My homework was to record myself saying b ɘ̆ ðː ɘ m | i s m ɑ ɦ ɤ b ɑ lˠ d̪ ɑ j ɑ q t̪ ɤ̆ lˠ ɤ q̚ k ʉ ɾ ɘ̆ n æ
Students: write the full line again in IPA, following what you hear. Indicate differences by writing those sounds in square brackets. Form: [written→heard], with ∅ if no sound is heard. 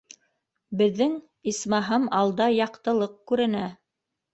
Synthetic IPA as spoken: b ɘ̆ ðː ɘ [m→ŋ] | i s m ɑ ɦ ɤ [b→m] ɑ lˠ d̪ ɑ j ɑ q t̪ ɤ̆ lˠ ɤ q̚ k ʉ ɾ ɘ̆ n æ